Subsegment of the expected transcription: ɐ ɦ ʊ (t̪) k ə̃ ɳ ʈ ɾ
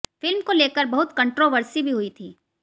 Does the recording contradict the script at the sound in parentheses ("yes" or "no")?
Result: no